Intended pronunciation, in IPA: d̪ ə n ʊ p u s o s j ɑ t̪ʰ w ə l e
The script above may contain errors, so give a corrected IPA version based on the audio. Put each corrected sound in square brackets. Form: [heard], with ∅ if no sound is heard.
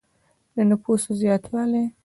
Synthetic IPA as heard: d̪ ə n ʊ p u s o [z] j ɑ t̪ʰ w [ɑ] l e